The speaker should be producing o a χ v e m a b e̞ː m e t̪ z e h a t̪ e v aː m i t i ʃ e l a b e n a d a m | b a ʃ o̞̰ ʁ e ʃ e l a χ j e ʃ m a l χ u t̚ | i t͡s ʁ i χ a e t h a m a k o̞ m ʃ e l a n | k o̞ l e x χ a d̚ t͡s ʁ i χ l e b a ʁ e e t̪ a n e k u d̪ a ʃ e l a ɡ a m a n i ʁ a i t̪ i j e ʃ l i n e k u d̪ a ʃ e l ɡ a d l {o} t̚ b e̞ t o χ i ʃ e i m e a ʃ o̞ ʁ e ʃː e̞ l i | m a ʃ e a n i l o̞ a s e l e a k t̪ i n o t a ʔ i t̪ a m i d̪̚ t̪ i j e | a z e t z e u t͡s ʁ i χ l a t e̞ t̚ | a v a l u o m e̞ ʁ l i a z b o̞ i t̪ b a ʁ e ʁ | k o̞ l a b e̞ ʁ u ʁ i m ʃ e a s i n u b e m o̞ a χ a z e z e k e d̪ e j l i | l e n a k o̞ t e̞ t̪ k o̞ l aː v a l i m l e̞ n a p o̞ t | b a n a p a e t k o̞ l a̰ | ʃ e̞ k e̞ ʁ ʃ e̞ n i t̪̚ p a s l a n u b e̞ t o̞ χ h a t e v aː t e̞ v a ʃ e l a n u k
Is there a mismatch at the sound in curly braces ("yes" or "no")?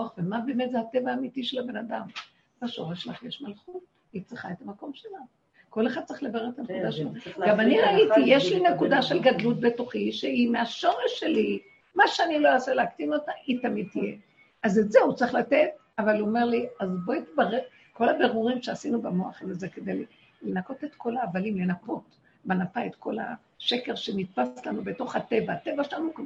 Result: yes